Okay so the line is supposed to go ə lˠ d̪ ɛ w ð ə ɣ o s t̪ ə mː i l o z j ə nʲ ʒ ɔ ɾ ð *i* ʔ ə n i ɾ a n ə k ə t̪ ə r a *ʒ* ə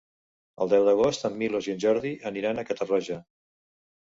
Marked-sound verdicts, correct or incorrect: correct, correct

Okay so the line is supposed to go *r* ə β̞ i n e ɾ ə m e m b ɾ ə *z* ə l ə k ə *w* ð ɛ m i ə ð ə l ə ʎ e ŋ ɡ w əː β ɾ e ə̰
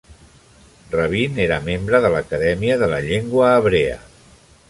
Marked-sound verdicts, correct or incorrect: correct, incorrect: ð, incorrect: none

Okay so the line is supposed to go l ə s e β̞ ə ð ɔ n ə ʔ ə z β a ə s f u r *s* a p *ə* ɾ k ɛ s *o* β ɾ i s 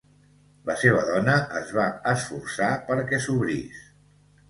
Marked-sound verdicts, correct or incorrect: correct, correct, incorrect: u

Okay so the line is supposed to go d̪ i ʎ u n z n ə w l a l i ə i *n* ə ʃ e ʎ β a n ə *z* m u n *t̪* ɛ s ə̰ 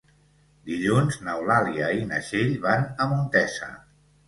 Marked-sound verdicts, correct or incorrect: correct, incorrect: none, correct

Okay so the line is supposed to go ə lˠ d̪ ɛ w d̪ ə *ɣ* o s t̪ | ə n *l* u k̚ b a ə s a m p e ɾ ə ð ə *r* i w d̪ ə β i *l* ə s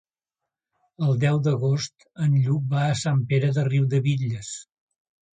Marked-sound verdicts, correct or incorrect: correct, incorrect: ʎ, correct, incorrect: ʎ

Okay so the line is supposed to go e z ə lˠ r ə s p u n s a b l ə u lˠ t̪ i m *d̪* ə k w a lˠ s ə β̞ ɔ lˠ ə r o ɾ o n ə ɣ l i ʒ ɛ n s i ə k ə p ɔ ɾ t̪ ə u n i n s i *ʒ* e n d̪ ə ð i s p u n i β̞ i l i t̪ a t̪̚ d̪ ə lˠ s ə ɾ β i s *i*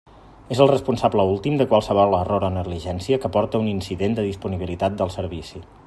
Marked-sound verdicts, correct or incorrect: correct, incorrect: ð, correct

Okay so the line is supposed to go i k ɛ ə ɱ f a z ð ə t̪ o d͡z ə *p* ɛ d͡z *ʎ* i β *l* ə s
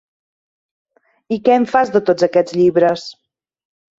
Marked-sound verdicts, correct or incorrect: incorrect: k, correct, incorrect: ɾ

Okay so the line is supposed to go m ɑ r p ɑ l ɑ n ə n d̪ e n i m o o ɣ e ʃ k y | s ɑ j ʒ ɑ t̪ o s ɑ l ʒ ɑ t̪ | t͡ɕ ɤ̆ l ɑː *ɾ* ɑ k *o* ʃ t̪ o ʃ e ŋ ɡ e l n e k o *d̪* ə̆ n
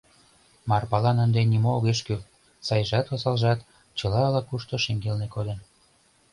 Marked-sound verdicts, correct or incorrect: incorrect: l, incorrect: u, correct

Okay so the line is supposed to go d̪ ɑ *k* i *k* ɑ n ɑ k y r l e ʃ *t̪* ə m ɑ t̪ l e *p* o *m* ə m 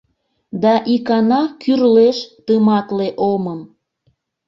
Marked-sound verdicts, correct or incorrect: incorrect: ʔ, correct, correct, incorrect: ʔ, correct

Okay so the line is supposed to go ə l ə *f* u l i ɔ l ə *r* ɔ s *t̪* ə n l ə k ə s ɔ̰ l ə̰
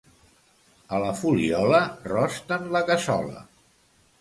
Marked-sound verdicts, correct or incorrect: correct, correct, correct

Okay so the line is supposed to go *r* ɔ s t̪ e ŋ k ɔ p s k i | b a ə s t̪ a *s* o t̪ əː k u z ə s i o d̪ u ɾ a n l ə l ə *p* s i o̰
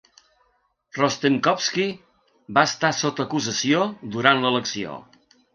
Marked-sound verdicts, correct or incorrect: correct, correct, incorrect: k

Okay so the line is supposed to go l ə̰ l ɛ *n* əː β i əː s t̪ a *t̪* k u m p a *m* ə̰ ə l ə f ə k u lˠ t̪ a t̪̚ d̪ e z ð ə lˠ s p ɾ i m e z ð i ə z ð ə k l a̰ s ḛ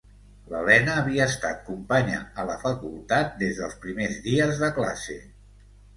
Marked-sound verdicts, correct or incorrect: correct, correct, incorrect: ɲ

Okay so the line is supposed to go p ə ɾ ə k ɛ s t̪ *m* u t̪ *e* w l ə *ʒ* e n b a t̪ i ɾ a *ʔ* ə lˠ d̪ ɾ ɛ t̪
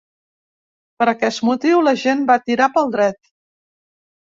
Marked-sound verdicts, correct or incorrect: correct, incorrect: i, correct, incorrect: p

